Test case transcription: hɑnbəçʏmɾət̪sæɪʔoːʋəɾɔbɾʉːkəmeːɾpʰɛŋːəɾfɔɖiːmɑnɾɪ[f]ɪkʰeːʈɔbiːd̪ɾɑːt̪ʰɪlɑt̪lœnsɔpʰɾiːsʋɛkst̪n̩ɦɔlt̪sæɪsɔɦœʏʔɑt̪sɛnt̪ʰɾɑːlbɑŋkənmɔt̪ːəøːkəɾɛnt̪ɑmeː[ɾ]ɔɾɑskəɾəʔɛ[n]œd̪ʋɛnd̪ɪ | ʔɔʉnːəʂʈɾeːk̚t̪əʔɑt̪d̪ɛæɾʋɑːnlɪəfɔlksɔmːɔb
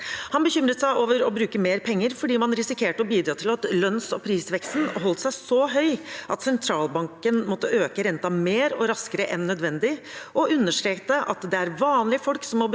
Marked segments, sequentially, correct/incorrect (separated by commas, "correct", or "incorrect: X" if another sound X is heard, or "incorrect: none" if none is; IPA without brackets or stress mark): incorrect: s, correct, incorrect: nː